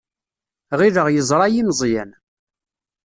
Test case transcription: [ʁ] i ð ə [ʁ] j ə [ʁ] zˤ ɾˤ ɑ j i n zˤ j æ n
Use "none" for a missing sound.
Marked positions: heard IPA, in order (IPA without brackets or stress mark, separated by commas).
ʁ, ʁ, none